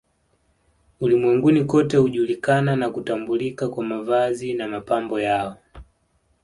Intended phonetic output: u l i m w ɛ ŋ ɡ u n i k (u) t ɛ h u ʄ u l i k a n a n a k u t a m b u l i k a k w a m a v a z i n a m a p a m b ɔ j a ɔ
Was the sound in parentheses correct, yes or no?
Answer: no